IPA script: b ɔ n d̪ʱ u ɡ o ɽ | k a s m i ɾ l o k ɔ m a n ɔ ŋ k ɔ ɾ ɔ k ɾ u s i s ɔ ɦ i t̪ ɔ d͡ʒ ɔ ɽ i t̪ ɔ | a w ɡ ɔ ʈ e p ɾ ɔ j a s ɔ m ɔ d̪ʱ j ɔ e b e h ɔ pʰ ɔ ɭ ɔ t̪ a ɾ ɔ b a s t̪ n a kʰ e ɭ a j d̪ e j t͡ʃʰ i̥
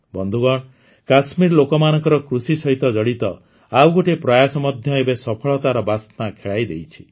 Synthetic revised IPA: b ɔ n d̪ʱ u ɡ ɔ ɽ | k a s m i ɾ l o k ɔ m a n ɔ ŋ k ɔ ɾ ɔ k ɾ u s i s ɔ ɦ i t̪ ɔ d͡ʒ ɔ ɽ i t̪ ɔ | a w ɡ o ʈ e p ɾ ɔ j a s ɔ m ɔ d̪ʱ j ɔ e b e s ɔ pʰ ɔ ɭ ɔ t̪ a ɾ ɔ b a s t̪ n a kʰ e ɭ a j d̪ e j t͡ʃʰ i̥